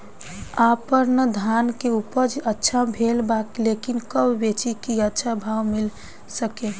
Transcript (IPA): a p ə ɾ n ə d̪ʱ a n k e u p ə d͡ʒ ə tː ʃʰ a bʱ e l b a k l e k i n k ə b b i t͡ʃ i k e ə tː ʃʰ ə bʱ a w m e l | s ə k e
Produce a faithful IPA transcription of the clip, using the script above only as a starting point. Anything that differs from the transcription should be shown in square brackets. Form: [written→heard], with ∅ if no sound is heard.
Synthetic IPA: a p ə ɾ n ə d̪ʱ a n k e u p ə d͡ʒ ə tː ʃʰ a bʱ e l b a k l e k i n k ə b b [i→e] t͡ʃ i k [e→i] ə tː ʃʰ [ə→a] bʱ a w m [e→i] l | s ə k e